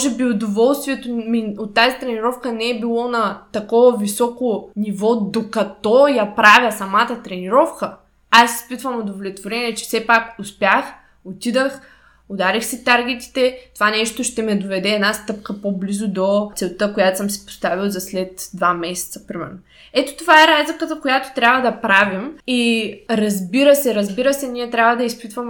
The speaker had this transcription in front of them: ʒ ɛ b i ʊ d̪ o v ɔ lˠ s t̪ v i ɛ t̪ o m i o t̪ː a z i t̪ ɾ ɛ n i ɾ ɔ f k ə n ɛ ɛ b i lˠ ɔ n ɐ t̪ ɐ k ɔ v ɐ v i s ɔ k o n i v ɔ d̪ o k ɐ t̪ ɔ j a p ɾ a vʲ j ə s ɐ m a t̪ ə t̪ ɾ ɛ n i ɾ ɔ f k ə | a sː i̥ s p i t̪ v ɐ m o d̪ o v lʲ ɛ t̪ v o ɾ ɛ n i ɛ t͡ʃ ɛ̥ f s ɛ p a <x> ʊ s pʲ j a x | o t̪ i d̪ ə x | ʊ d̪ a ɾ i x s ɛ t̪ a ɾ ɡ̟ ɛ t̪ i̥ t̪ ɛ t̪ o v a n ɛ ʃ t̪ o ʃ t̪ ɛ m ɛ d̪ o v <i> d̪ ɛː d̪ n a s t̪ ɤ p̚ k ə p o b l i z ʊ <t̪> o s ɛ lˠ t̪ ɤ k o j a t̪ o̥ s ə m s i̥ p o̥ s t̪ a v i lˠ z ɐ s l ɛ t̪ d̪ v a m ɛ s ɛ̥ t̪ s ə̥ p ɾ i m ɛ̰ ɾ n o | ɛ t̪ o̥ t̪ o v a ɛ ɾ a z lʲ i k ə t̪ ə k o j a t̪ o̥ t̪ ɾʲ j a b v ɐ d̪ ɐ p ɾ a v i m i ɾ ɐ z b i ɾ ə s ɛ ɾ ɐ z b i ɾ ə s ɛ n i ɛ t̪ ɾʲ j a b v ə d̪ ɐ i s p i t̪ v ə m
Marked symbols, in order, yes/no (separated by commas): no, no, no